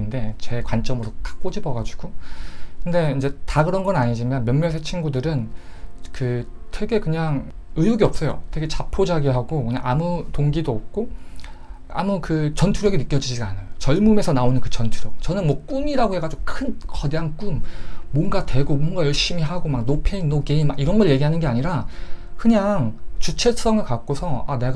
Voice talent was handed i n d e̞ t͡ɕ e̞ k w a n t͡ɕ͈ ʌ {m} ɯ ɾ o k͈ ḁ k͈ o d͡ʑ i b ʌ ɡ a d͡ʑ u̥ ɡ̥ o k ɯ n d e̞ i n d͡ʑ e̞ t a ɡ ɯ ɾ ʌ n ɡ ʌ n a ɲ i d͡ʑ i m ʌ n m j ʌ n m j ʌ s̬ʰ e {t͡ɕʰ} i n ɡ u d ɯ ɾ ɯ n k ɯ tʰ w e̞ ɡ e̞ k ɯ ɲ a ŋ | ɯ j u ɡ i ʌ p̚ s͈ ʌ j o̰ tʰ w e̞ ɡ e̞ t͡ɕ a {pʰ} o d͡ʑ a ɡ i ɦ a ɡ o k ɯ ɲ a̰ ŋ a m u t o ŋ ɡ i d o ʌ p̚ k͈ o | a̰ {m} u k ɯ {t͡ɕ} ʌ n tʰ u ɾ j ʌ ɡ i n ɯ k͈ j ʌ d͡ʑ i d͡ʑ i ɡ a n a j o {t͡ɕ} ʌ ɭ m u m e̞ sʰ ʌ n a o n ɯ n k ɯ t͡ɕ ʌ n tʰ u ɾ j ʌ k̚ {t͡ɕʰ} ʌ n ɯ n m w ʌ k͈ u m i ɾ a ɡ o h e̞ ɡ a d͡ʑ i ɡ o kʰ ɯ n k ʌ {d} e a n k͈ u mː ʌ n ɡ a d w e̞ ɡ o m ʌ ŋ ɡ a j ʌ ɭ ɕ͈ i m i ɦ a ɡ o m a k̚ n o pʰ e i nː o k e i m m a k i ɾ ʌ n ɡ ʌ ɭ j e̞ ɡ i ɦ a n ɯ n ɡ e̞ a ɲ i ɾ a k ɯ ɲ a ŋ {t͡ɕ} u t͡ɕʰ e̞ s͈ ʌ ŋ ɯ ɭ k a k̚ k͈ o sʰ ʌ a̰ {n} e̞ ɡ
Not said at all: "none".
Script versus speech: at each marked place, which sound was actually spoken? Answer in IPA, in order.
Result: m, t͡ɕʰ, pʰ, m, t͡ɕ, t͡ɕ, t͡ɕ, d, t͡ɕ, n

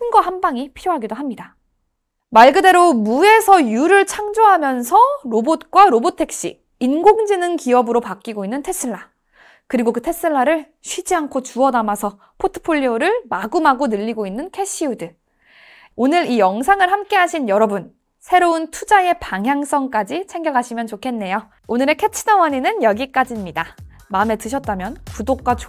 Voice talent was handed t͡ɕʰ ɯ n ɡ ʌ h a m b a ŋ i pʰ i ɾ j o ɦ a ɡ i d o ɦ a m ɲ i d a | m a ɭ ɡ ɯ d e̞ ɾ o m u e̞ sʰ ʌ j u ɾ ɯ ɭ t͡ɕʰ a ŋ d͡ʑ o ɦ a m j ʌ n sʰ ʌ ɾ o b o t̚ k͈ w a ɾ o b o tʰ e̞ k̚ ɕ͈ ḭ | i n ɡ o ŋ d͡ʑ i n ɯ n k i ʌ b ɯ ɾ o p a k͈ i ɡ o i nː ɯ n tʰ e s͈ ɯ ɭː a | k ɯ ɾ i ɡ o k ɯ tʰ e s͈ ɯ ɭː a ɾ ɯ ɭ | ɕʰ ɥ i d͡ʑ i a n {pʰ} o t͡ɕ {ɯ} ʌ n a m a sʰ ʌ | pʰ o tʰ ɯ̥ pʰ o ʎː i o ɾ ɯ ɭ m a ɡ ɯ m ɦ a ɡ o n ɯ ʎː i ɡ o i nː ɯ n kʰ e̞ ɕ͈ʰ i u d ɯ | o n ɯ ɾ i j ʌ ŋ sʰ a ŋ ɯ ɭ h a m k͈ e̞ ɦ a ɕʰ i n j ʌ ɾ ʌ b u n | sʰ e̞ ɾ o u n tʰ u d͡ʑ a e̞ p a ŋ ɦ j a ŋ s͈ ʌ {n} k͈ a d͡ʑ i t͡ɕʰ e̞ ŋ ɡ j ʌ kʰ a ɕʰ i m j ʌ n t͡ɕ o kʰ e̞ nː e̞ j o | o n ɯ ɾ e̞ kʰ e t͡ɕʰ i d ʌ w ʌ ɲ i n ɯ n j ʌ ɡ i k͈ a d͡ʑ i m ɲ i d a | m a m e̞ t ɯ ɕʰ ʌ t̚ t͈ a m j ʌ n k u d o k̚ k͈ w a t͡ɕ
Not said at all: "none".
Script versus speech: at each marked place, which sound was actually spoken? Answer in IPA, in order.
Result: kʰ, u, ŋ

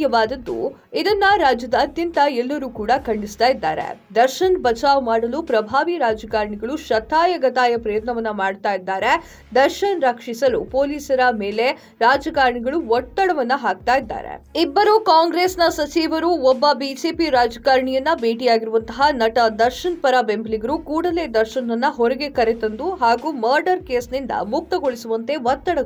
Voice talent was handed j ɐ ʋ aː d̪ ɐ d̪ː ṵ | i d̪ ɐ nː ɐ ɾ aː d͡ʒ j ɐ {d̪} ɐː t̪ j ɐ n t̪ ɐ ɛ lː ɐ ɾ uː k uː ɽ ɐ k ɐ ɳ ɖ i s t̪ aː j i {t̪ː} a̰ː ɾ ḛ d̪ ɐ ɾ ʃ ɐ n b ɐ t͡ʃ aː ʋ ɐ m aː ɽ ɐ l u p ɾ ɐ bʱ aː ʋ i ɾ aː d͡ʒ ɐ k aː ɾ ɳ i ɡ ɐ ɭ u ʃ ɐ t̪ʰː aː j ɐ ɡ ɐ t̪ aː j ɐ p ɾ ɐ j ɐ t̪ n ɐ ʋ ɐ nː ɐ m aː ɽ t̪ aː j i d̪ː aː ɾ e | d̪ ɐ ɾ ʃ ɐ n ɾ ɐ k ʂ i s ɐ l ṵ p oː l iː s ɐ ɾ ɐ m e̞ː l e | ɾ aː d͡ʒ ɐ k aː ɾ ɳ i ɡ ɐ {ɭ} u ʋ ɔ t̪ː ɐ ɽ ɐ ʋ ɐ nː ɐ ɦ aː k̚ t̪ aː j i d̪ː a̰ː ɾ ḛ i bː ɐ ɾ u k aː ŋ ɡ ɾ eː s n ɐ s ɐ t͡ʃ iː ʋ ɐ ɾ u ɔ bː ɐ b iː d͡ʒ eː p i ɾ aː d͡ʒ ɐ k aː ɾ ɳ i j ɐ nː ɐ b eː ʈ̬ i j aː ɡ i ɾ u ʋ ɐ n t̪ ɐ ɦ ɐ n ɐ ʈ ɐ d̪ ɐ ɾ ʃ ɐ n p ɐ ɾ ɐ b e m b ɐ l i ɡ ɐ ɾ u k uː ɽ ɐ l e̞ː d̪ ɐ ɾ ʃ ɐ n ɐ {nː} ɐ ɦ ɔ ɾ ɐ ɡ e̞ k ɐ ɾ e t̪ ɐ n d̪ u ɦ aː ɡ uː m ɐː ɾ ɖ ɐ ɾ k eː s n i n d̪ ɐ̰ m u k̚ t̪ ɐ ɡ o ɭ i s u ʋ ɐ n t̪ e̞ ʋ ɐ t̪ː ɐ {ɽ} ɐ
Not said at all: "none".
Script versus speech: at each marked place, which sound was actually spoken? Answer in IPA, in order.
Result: d̪, d̪ː, ɭ, nː, ɽ

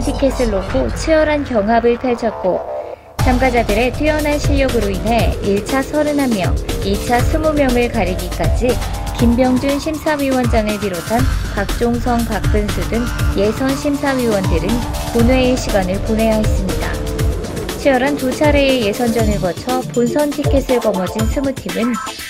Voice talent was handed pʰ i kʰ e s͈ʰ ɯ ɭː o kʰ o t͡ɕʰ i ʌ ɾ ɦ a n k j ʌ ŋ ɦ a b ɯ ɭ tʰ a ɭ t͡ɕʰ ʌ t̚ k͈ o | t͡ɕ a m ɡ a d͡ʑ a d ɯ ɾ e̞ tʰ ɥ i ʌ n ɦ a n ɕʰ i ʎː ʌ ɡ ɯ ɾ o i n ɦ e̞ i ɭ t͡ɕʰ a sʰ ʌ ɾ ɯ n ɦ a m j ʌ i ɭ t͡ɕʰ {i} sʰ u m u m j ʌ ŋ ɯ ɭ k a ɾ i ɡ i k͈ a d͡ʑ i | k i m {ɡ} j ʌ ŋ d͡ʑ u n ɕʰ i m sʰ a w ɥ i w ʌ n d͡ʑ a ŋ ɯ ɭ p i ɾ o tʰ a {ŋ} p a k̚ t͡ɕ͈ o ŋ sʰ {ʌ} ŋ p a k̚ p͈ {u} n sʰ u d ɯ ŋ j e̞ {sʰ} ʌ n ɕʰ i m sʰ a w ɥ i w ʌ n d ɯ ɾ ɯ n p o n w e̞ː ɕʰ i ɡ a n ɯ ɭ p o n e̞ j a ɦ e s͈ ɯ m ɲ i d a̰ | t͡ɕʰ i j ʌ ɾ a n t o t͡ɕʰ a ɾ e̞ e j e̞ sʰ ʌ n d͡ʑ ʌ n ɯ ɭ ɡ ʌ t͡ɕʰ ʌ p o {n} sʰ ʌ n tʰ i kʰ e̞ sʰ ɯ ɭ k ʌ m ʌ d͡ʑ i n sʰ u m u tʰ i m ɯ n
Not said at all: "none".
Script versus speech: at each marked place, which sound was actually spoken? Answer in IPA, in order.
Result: a, b, n, ʌ, ɯ, sʰ, n

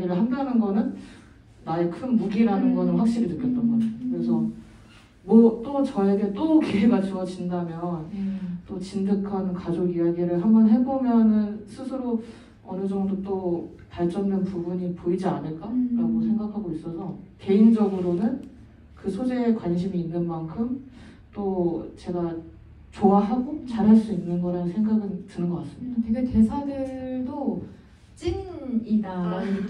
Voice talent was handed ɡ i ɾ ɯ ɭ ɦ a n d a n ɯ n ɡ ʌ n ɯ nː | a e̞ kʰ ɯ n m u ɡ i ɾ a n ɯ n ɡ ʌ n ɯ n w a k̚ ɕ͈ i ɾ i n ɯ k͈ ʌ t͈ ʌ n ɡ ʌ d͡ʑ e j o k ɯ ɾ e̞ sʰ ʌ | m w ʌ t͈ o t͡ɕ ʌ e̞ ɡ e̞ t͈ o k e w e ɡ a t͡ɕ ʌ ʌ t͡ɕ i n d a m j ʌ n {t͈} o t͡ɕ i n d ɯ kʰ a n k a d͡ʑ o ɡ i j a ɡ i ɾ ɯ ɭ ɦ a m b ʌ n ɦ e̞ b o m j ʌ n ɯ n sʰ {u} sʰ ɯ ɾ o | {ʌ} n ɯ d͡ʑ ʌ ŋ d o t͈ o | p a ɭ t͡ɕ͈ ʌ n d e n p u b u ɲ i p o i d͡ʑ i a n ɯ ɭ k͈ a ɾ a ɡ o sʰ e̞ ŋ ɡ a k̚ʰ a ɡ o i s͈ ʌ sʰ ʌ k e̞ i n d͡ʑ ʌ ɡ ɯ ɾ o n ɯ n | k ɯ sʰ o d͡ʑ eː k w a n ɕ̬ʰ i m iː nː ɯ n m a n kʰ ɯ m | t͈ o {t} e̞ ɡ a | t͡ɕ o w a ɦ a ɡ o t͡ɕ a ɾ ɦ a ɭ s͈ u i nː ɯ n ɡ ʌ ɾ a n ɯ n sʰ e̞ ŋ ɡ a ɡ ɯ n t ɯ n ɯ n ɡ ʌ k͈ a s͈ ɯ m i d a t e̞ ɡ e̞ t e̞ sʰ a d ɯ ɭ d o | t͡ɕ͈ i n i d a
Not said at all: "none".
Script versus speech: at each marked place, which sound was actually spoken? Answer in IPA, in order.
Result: t͈, ɯ, ʌ, t͡ɕ

